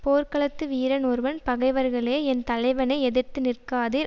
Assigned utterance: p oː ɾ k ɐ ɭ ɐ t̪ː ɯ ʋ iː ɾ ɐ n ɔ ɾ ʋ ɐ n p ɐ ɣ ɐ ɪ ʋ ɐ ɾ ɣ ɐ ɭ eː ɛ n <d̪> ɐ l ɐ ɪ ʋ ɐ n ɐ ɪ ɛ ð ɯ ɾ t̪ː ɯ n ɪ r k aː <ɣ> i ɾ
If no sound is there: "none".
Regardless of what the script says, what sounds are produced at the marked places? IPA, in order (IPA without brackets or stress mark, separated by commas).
t̪, ð